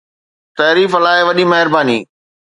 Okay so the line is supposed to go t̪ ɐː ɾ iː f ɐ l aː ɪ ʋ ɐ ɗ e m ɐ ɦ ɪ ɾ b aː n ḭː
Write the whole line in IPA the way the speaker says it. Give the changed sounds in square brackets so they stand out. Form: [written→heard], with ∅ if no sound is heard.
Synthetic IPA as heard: t̪ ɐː ɾ iː f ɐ l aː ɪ ʋ ɐ ɗ [e→i] m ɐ ɦ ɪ ɾ b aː n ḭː